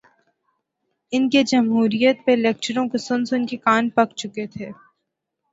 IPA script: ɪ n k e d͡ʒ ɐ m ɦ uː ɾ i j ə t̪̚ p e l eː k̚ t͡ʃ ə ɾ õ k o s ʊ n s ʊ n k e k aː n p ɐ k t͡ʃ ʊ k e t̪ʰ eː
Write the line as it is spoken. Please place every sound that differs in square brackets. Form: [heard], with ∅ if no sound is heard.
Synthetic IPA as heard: ɪ n k e d͡ʒ ɐ m ɦ uː ɾ i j ə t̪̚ p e l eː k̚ t͡ʃ ə ɾ õ k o s ʊ n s ʊ n k e k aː n p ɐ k t͡ʃ ʊ k e t̪ʰ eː